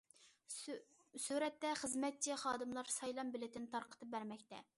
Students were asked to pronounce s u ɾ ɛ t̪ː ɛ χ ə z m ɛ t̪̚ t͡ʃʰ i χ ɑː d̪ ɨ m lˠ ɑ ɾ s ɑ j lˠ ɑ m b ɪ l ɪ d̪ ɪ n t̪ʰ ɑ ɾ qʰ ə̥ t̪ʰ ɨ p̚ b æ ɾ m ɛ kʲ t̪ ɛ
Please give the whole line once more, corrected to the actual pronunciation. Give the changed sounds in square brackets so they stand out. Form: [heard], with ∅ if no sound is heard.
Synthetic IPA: s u ɾ ɛ t̪ː ɛ χ ə z m ɛ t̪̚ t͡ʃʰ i χ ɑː d̪ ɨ m lˠ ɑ ɾ s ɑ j lˠ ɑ m b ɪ l ɪ [t̪] ɪ n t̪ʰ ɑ ɾ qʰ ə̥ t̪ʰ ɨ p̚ b æ ɾ m ɛ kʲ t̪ ɛ